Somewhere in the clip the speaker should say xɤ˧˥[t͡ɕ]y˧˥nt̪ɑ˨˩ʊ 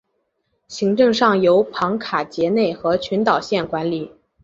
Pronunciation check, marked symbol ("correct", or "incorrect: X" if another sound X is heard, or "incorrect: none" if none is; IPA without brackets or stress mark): incorrect: t͡ɕʰ